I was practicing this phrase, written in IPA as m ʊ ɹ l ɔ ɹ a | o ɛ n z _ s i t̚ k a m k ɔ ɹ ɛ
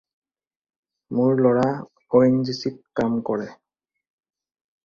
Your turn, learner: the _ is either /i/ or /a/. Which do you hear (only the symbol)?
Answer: i